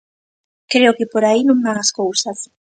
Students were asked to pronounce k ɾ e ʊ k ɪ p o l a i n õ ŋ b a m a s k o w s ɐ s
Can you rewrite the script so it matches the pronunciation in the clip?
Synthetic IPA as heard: k ɾ e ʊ k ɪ p o ɾ a i n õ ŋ b a ŋ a s k o w s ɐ s